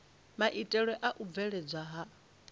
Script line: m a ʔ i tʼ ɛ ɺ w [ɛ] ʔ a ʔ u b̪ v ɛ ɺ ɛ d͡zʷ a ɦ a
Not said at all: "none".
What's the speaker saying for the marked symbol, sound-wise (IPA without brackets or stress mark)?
ɛ